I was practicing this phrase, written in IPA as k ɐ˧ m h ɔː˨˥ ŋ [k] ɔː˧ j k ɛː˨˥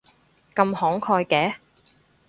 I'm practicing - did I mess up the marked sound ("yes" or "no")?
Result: yes